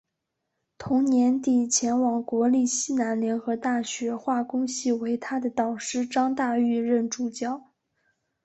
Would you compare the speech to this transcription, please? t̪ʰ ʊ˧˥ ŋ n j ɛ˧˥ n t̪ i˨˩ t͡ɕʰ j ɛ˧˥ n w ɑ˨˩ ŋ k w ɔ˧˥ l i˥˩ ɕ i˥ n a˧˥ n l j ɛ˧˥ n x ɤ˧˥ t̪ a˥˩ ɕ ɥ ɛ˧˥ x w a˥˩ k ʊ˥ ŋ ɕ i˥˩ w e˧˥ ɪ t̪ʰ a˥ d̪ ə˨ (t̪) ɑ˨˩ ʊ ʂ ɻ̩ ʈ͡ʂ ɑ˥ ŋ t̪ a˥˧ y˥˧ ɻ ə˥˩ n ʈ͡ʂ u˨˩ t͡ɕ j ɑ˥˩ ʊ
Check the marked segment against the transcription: correct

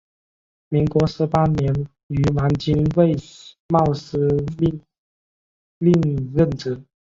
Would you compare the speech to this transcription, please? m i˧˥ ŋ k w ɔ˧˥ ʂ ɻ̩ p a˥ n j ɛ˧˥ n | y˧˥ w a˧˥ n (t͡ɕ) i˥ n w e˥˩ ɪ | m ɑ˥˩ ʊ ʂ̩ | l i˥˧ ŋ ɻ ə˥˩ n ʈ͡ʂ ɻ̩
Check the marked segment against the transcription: correct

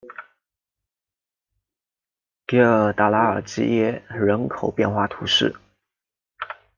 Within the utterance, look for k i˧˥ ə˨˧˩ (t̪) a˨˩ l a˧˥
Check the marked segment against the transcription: correct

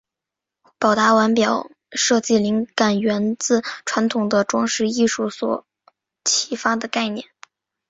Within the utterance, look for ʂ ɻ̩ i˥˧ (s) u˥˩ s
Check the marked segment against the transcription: incorrect: ʂ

